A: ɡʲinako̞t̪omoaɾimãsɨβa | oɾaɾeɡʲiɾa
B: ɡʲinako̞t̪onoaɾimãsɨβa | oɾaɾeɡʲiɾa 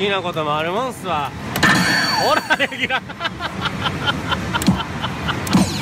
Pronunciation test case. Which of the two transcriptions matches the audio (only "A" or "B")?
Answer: A